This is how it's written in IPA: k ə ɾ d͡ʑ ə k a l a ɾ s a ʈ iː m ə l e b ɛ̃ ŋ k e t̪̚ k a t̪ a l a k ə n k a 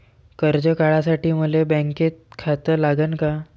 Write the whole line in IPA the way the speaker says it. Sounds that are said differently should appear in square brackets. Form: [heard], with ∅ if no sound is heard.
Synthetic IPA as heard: k ə ɾ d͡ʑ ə k a [ɭ] a [∅] s a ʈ iː m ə l e b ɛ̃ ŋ k e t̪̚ [kʰ] a t̪ [ə] l a [ɡ] ə n k a